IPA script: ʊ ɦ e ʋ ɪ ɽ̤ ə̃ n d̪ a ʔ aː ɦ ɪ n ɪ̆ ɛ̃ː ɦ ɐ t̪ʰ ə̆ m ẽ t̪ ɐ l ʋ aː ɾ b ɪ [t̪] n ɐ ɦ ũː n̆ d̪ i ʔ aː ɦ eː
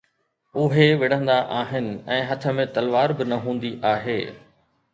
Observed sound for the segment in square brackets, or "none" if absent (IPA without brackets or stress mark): none